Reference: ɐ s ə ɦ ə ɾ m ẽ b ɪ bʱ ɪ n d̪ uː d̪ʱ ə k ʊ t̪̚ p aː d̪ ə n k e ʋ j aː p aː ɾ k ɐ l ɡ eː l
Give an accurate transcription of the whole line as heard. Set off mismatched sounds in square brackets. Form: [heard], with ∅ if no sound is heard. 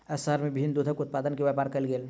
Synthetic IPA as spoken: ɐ s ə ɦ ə ɾ m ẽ b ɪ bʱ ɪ n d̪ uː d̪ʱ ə k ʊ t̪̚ p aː d̪ ə n k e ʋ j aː p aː ɾ k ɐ l ɡ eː l

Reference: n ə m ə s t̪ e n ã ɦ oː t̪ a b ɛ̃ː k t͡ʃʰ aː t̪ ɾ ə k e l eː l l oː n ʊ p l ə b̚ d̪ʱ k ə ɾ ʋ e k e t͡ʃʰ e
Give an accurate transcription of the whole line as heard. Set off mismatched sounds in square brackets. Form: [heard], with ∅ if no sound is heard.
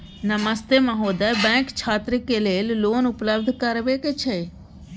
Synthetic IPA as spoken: n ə m ə s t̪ e [m] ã ɦ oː [d̪] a b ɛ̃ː k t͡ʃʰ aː t̪ ɾ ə k e l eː l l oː n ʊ p l ə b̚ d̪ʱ k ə ɾ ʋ e k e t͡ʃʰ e

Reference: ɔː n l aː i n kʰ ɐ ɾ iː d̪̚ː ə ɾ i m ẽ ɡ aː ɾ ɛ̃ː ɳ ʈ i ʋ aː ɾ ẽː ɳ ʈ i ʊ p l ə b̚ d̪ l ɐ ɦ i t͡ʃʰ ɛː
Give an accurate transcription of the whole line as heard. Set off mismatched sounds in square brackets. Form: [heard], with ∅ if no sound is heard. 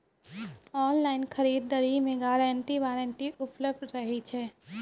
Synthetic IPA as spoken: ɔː n l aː [ɪ] n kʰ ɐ ɾ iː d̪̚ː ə ɾ i m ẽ ɡ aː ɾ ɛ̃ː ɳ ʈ i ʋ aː ɾ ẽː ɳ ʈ i ʊ p l ə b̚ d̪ [ɾ] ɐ ɦ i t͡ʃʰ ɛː

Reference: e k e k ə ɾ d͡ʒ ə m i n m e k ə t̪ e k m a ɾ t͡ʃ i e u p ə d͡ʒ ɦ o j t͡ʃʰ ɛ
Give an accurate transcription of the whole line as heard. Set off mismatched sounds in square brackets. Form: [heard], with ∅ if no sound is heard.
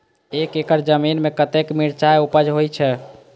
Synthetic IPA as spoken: e k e k ə ɾ d͡ʒ ə m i n m e k ə t̪ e k m [i] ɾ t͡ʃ [a] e u p ə d͡ʒ ɦ o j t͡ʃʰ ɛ

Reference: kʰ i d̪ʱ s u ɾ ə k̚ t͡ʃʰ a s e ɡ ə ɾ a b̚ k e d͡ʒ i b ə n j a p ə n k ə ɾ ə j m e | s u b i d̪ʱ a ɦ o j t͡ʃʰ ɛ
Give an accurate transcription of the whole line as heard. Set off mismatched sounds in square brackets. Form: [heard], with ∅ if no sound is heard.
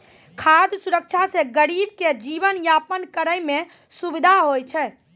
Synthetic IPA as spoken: kʰ [a] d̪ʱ s u ɾ ə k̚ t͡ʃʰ a s e ɡ ə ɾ [i] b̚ k e d͡ʒ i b ə n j a p ə n k ə ɾ ə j m e | s u b i d̪ʱ a ɦ o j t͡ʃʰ ɛ

